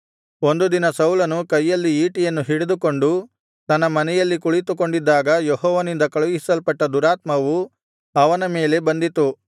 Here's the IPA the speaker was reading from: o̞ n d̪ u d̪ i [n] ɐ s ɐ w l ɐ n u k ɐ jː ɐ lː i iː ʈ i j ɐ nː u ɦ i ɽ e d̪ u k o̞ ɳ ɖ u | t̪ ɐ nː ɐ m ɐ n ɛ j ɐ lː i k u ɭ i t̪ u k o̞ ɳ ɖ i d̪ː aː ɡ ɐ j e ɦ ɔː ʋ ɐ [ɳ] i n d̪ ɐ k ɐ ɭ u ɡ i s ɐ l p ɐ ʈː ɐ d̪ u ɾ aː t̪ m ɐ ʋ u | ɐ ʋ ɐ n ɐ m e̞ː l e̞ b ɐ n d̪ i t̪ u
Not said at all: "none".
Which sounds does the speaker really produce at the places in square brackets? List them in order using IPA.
n, n

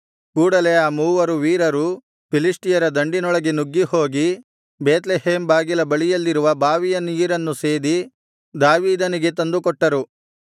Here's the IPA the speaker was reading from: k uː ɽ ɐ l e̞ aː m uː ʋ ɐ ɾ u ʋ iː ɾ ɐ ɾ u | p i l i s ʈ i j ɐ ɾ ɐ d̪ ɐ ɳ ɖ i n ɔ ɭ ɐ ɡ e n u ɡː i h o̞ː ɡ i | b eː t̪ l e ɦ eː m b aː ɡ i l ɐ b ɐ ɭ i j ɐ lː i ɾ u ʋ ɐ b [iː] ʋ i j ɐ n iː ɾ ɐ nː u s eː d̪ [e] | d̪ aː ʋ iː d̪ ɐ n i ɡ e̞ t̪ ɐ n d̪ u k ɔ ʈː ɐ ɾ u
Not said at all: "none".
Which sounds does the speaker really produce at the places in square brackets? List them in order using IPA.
aː, i

